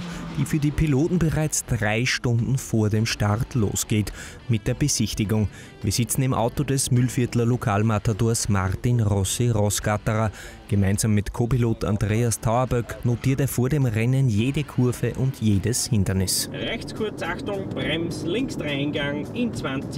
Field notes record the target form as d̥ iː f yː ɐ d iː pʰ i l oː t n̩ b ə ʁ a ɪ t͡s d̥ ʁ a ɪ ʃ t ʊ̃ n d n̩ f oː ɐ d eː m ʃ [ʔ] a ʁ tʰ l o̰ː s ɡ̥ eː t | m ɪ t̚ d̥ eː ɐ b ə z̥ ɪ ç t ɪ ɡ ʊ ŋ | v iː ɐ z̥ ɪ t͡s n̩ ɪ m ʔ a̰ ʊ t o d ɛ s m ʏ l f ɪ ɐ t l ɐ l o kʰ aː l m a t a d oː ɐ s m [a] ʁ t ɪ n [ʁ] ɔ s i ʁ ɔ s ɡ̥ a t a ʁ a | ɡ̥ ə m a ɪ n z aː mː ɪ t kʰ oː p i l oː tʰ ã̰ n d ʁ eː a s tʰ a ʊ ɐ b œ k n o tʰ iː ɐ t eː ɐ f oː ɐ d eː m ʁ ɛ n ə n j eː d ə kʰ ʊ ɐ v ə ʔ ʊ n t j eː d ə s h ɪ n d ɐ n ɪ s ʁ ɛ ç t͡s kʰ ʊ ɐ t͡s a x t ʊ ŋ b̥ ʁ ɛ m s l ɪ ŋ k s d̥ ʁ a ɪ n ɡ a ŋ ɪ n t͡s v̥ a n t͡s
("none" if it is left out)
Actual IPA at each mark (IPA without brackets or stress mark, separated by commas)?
t, a, ʁ